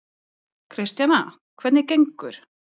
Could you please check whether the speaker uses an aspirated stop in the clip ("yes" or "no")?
yes